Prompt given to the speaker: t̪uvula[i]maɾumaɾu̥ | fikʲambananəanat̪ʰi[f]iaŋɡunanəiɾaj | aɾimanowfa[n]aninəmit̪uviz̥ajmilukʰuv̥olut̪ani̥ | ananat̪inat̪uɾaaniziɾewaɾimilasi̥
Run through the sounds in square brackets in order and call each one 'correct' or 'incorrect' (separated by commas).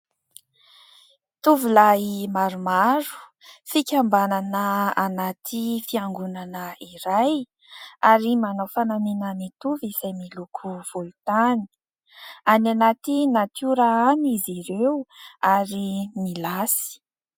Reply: correct, correct, correct